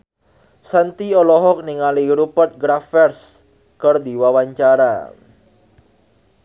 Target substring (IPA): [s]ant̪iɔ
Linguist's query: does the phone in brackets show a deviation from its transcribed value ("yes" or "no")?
no